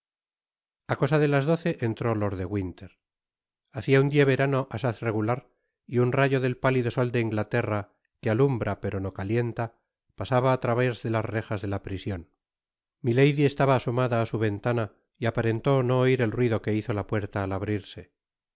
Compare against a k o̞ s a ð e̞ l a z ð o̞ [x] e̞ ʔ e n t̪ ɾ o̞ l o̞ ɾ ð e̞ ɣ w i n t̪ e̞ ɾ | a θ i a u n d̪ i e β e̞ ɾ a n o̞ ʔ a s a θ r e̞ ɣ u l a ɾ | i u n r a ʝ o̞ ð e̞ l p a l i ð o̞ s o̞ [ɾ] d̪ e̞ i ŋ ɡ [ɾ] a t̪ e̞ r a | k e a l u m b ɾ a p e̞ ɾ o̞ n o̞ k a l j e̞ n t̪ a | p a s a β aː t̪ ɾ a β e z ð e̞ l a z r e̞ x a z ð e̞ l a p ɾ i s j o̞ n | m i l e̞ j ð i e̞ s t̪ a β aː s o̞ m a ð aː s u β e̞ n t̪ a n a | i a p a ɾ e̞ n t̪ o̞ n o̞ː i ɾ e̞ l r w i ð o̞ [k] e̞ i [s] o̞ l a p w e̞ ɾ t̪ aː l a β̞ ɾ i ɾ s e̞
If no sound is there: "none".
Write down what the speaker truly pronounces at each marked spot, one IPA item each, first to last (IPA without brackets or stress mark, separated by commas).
θ, l, l, k, θ